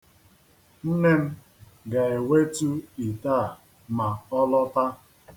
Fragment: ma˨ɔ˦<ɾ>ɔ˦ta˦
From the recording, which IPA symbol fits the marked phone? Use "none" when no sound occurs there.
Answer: l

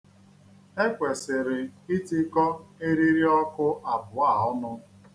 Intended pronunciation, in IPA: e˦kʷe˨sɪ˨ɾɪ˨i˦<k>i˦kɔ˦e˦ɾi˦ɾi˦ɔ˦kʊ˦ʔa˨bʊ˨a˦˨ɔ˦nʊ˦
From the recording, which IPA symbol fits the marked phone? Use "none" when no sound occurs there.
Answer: t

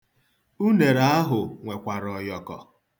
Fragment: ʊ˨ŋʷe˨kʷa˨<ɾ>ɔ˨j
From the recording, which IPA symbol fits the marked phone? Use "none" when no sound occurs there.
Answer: ɾ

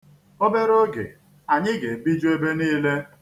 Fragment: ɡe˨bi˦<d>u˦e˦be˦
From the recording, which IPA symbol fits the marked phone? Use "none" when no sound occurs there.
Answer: d͡ʒ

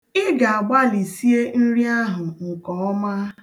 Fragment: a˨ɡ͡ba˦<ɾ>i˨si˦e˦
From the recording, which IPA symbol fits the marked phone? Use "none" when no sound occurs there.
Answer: l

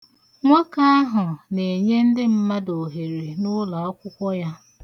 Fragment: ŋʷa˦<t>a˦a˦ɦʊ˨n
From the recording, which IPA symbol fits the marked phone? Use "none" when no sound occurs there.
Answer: k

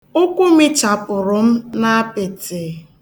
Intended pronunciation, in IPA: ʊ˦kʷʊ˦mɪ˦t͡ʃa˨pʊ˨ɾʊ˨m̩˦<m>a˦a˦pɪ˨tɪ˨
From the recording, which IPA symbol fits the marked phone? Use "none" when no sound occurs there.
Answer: n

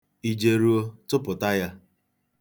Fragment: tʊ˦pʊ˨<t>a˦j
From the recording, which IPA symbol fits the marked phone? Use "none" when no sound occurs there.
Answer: t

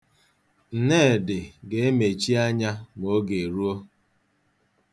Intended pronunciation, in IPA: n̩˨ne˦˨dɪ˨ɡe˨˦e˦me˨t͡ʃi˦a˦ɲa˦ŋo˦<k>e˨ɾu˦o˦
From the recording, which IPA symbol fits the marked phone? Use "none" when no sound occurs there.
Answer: ɡ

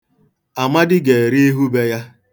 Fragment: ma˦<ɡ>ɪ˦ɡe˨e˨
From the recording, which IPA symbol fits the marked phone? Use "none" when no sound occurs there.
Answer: d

